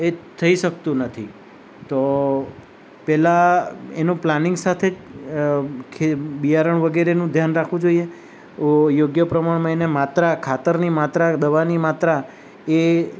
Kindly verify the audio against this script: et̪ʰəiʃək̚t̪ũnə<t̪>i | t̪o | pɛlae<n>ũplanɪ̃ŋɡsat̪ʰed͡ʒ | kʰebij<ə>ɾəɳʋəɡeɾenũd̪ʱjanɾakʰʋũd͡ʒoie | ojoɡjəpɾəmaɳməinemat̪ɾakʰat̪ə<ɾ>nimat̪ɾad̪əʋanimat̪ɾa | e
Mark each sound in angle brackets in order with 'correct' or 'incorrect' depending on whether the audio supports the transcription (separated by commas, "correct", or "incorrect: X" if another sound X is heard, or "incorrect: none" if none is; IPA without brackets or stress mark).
incorrect: t̪ʰ, correct, incorrect: a, correct